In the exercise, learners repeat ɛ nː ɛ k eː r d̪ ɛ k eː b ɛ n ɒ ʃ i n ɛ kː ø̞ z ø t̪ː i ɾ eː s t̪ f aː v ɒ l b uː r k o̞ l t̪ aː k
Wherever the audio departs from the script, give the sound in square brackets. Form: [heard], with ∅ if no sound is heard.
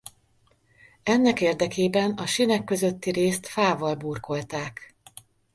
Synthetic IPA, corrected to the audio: ɛ nː ɛ k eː r d̪ ɛ k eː b ɛ n ɒ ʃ i n ɛ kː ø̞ z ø t̪ː i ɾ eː s t̪ f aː v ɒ l b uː r k o̞ l t̪ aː k

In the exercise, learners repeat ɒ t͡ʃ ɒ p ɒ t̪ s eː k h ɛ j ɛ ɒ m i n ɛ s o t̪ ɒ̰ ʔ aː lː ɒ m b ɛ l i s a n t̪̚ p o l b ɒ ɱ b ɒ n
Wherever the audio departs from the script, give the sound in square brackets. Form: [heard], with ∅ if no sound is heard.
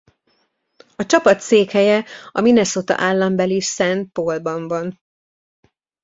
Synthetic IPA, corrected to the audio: ɒ t͡ʃ ɒ p ɒ t̪ s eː k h ɛ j ɛ ɒ m i n ɛ s o t̪ ɒ̰ ʔ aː lː ɒ m b ɛ l i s [ɛ] n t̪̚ p o l b ɒ ɱ [v] ɒ n

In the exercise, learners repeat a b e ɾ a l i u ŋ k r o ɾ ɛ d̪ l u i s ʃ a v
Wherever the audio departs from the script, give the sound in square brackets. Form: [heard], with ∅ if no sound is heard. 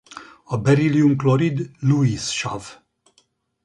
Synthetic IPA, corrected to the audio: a b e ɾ [i] l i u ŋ k [l] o ɾ [i] d̪ l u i s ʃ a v

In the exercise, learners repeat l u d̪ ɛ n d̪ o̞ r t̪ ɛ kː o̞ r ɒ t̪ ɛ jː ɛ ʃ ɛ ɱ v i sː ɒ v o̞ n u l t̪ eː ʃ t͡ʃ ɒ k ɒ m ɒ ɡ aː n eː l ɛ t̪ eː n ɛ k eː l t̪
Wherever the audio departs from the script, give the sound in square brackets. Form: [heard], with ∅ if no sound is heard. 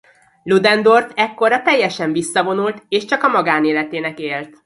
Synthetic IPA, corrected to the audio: l u d̪ ɛ n d̪ o̞ r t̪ ɛ kː o̞ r ɒ t̪ ɛ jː ɛ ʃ ɛ ɱ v i sː ɒ v o̞ n u l t̪ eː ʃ t͡ʃ ɒ k ɒ m ɒ ɡ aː n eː l ɛ t̪ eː n ɛ k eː l t̪

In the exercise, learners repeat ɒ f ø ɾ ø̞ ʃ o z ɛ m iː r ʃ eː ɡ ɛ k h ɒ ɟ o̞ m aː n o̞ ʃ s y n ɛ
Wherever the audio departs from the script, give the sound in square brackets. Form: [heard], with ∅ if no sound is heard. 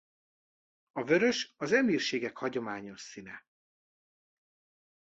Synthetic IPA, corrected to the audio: ɒ [v] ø ɾ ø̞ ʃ [ɒ] z ɛ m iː r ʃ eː ɡ ɛ k h ɒ ɟ o̞ m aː [ɲ] o̞ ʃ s [i] n ɛ

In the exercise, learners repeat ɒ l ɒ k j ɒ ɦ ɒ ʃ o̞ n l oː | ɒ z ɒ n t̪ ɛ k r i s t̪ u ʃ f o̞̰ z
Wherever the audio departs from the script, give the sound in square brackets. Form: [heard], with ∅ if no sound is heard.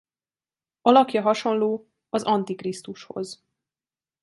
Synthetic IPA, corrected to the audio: ɒ l ɒ k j ɒ ɦ ɒ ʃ o̞ n l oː | ɒ z ɒ n t̪ [i] k r i s t̪ u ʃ [h] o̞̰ z

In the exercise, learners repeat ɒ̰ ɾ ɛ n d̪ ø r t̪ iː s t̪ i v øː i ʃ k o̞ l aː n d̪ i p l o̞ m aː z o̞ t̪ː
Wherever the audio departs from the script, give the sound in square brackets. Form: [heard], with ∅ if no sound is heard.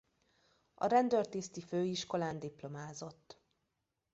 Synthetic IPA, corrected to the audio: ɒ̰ ɾ ɛ n d̪ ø r t̪ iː s t̪ i [f] øː i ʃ k o̞ l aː n d̪ i p l o̞ m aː z o̞ t̪ː

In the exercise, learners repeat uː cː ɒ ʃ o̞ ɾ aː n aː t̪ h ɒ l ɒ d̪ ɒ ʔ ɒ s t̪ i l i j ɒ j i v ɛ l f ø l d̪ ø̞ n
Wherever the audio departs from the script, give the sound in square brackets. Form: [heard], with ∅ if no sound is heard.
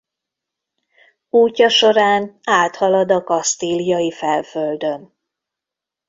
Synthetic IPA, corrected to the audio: uː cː ɒ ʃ o̞ ɾ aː n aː t̪ h ɒ l ɒ d̪ ɒ [k] ɒ s t̪ i l i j ɒ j i [f] ɛ l f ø l d̪ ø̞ n

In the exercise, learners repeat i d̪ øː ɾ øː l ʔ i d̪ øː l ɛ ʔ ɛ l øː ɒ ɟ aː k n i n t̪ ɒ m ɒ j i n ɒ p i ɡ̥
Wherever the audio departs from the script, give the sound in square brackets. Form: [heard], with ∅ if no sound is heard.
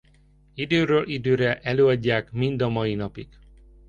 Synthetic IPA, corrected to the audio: i d̪ øː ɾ øː l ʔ i d̪ øː [ɾ] ɛ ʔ ɛ l øː ɒ [ɟː] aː k [m] i n [d̪] ɒ m ɒ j i n ɒ p i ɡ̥

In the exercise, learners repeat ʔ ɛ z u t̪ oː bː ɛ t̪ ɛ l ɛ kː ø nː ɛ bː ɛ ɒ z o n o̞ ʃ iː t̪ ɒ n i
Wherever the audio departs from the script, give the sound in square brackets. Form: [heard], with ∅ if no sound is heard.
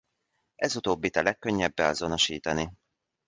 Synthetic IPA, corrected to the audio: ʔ ɛ z u t̪ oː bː [i] t̪ ɛ l ɛ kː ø [ɲː] ɛ bː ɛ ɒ z o n o̞ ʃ iː t̪ ɒ n i

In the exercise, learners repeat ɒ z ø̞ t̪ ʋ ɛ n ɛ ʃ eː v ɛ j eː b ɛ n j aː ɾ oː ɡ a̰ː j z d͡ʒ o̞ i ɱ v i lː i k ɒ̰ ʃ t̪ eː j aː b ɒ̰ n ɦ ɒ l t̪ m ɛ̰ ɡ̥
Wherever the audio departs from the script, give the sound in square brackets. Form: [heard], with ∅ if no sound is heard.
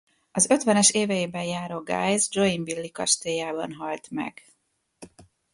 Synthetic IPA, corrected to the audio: ɒ z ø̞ t̪ ʋ ɛ n ɛ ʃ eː v ɛ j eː b ɛ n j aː ɾ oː ɡ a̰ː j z d͡ʒ o̞ i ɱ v i lː i k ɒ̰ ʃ t̪ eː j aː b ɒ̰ n ɦ ɒ l t̪ m ɛ̰ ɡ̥

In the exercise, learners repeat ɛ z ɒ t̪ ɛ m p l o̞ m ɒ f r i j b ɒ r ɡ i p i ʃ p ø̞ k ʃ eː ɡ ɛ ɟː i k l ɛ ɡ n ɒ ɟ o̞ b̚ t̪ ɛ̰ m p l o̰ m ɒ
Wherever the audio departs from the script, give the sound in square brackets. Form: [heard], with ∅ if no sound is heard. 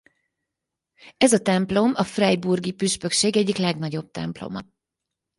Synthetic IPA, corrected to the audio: ɛ z ɒ t̪ ɛ m p l o̞ m ɒ f r [ɛ] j b [u] r ɡ i p [y] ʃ p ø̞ k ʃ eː ɡ ɛ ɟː i k l ɛ ɡ n ɒ ɟ o̞ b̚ t̪ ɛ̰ m p l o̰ m ɒ

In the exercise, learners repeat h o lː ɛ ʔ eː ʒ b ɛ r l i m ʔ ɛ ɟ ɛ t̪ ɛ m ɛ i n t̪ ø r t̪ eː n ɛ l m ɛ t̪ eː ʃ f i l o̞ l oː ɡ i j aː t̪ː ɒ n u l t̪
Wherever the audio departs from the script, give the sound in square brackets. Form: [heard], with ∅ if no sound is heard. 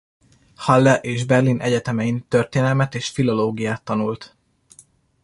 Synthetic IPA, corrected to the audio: h [ɒ] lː ɛ ʔ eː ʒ b ɛ r l i [n] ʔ ɛ ɟ ɛ t̪ ɛ m ɛ i n t̪ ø r t̪ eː n ɛ l m ɛ t̪ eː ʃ f i l o̞ l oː ɡ i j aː t̪ː ɒ n u l t̪

